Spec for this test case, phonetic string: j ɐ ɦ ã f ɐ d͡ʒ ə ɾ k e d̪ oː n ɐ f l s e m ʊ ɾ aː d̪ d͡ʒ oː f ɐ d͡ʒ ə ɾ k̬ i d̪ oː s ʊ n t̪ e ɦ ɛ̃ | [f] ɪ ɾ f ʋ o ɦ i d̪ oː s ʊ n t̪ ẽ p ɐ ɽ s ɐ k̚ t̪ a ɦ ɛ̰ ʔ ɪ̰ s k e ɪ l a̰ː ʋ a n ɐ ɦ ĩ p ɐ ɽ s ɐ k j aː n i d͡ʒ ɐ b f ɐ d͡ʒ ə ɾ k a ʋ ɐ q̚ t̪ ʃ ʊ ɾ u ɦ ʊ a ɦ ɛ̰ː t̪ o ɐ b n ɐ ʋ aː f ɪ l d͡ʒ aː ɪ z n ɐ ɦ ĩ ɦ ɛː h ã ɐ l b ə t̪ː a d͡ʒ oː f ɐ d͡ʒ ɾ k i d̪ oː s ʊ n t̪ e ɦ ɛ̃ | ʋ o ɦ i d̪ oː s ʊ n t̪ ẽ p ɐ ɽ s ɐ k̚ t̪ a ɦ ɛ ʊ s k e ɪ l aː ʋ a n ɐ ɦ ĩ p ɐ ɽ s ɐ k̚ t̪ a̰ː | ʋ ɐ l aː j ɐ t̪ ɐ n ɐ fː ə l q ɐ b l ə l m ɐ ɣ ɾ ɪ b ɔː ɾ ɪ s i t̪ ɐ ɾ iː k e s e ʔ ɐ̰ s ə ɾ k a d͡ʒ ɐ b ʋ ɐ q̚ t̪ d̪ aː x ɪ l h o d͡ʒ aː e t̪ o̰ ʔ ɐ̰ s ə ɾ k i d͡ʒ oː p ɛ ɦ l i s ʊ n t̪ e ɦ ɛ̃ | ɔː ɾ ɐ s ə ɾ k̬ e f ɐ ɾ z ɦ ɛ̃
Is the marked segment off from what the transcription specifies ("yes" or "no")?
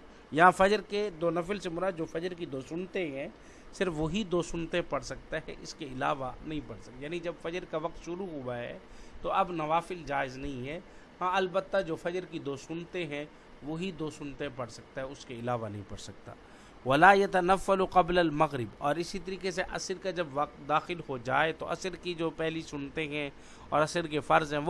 yes